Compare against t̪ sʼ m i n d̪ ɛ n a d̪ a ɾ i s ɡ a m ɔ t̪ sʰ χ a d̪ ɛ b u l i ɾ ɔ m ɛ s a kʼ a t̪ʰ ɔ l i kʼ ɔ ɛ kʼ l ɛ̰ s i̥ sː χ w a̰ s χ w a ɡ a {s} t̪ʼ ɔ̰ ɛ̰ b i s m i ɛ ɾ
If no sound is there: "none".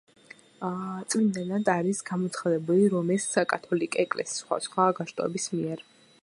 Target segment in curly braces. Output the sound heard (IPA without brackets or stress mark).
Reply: ʃ